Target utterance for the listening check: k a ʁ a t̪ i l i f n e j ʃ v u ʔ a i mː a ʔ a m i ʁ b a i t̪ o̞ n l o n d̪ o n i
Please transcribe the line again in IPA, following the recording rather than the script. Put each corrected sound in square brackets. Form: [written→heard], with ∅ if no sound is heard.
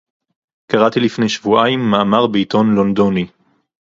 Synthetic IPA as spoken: k a ʁ a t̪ i l i f n e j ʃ v u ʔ a i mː a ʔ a m [i→a] ʁ b [a→e] i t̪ o̞ n l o n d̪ o n i